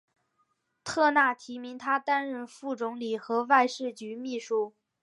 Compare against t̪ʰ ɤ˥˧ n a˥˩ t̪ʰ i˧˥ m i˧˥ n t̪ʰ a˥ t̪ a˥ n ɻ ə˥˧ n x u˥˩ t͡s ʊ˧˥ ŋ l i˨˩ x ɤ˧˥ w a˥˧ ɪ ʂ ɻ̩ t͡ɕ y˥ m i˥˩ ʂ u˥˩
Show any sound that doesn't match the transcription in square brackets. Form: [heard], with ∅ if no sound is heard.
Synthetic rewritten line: t̪ʰ ɤ˥˧ n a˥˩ t̪ʰ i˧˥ m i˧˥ [ŋ] t̪ʰ a˥ t̪ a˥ n ɻ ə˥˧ n [f] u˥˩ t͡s ʊ˧˥ ŋ l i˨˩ x ɤ˧˥ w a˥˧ ɪ ʂ ɻ̩ t͡ɕ [y˧˥] m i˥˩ ʂ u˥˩